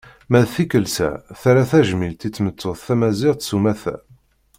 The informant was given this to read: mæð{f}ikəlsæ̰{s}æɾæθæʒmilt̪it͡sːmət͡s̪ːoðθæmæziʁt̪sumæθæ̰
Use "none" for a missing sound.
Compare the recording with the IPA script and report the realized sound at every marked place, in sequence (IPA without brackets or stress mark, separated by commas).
θ, θ